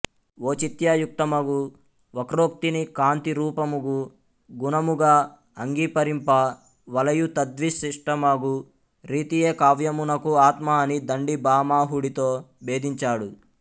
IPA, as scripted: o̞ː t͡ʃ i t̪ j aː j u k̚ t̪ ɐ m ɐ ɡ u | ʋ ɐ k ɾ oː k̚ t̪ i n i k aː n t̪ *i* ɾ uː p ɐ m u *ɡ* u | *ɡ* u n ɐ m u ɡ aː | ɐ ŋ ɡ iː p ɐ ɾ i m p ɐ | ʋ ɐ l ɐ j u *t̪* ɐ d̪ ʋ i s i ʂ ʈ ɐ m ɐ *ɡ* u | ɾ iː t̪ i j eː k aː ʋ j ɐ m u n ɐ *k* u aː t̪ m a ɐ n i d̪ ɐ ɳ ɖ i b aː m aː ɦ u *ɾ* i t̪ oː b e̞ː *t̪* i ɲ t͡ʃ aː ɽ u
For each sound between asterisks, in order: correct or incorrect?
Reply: correct, correct, correct, correct, correct, correct, incorrect, incorrect

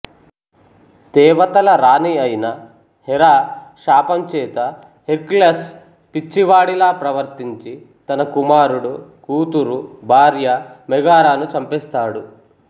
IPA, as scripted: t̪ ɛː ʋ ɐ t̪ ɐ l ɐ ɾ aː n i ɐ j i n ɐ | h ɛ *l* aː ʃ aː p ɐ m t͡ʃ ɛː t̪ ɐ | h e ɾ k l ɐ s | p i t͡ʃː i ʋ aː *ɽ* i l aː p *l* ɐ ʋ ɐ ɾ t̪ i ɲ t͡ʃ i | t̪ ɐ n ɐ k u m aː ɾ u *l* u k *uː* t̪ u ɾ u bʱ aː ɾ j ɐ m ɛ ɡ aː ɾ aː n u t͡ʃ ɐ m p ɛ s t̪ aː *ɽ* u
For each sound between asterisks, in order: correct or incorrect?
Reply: incorrect, correct, incorrect, incorrect, correct, correct

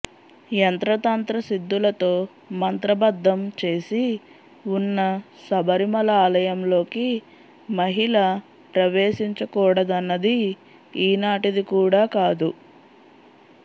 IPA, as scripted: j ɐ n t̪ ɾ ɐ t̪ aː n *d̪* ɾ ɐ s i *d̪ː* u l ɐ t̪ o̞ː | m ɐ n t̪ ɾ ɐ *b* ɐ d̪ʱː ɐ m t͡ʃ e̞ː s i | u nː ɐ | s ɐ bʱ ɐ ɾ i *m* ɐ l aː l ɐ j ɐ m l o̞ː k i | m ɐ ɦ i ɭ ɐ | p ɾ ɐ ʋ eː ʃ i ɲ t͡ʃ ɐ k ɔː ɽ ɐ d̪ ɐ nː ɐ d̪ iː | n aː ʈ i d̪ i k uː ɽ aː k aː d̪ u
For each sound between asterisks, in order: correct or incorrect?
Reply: incorrect, correct, correct, correct

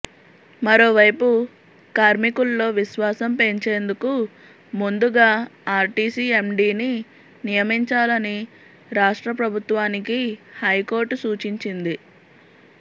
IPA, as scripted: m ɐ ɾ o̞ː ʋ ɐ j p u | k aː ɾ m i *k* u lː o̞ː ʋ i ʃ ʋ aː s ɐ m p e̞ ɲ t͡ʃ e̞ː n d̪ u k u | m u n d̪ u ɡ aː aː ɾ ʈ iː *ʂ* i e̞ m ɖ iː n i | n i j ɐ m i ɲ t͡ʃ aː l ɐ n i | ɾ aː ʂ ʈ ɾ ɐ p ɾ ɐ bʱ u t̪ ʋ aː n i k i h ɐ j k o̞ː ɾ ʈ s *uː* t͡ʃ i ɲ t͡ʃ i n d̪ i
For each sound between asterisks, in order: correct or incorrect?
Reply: correct, incorrect, correct

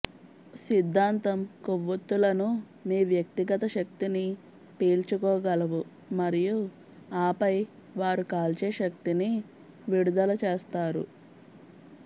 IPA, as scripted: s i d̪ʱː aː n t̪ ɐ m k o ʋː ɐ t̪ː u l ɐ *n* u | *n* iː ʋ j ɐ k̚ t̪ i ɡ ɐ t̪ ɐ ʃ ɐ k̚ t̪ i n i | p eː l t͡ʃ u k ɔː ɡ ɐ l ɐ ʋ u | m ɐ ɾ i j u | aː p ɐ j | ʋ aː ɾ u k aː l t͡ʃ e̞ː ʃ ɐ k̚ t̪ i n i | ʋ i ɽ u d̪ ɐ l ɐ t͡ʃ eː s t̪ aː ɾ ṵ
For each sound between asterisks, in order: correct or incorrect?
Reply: correct, incorrect

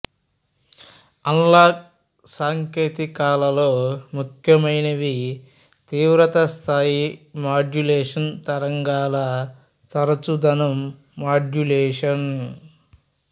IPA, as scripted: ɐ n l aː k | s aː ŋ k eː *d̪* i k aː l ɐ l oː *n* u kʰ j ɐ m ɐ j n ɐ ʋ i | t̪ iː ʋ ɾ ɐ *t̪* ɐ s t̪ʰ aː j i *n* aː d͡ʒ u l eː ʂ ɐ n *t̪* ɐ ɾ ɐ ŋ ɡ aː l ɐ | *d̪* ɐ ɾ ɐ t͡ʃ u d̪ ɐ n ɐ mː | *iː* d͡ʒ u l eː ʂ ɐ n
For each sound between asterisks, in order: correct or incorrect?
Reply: incorrect, incorrect, correct, incorrect, correct, incorrect, incorrect

